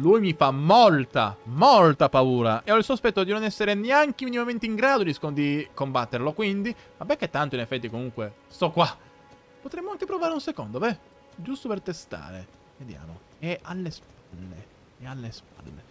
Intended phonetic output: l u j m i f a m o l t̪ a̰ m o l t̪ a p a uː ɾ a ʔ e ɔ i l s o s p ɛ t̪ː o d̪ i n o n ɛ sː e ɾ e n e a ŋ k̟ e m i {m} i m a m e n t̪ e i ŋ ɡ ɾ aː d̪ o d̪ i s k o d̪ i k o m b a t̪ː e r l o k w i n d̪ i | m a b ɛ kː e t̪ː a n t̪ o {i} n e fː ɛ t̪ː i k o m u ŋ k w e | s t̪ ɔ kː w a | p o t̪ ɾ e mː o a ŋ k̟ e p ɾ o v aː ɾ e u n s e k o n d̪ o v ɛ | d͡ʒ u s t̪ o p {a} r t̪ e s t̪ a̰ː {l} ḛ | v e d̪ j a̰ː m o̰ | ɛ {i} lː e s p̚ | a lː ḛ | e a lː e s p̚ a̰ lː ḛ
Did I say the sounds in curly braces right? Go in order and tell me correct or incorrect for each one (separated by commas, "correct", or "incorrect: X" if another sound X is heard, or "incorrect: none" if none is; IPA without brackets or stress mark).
incorrect: n, correct, incorrect: e, incorrect: ɾ, incorrect: a